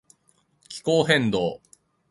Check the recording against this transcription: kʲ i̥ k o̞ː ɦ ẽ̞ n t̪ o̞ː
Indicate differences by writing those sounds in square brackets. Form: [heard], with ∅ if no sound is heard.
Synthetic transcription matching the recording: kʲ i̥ k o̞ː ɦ ẽ̞ n [d̪] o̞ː